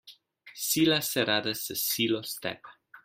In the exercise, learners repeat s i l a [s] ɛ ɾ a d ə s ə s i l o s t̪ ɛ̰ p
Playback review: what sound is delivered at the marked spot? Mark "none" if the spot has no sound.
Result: s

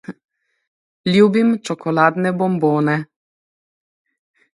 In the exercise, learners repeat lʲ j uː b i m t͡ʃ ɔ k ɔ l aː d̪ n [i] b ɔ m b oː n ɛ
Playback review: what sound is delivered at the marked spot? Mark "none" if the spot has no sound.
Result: ɛ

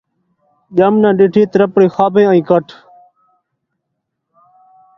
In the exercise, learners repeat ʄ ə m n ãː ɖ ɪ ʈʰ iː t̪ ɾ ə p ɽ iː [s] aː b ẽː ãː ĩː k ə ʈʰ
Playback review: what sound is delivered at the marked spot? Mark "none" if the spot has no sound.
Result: x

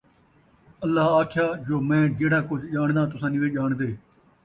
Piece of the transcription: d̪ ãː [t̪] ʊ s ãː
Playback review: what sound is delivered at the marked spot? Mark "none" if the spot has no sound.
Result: t̪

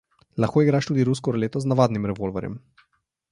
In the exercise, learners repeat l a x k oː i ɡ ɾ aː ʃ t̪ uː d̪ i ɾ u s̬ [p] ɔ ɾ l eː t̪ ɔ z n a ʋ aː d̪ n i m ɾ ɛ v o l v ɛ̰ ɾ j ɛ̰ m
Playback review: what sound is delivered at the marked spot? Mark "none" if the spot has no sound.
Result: k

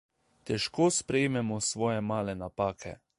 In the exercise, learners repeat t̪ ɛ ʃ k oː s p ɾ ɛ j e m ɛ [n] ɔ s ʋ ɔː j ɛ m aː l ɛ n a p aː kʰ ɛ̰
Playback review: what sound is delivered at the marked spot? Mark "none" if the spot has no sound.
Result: m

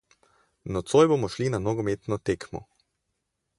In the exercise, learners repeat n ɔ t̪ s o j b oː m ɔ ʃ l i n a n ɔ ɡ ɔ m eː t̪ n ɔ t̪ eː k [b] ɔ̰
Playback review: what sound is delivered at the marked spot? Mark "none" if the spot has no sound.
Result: m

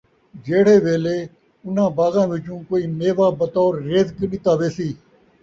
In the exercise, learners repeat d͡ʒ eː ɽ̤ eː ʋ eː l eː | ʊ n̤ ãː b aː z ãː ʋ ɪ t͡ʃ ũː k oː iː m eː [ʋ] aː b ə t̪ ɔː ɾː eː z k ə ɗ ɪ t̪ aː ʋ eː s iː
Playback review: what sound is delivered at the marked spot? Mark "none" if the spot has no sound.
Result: ʋ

